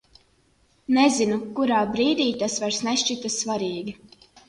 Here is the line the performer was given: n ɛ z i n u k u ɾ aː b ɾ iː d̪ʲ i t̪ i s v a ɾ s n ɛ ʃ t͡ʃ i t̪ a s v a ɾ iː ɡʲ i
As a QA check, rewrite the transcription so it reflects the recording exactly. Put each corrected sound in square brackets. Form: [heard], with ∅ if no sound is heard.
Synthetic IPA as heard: n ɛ z i n u k u ɾ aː b ɾ iː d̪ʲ [iː] t̪ [a] s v a ɾ s n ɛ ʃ t͡ʃ i t̪ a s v a ɾ iː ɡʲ i